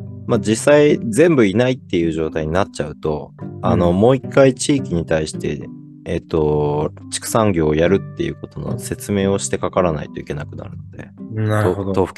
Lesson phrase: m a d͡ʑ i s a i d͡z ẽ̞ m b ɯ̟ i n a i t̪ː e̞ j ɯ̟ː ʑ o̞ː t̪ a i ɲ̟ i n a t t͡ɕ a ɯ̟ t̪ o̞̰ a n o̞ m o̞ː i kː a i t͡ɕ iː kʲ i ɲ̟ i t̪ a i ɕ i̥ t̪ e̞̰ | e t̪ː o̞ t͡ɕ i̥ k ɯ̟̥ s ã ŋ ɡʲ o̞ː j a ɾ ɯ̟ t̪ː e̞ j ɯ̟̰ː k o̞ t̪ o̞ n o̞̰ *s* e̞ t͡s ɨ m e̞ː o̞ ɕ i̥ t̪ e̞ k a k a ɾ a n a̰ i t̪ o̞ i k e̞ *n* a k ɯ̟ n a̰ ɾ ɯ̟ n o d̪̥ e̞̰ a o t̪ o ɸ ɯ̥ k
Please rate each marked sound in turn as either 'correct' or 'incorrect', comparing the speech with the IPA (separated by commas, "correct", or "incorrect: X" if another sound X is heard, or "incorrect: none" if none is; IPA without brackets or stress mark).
correct, correct